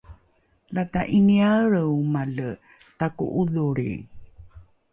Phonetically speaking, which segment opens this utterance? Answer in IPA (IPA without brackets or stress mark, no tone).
l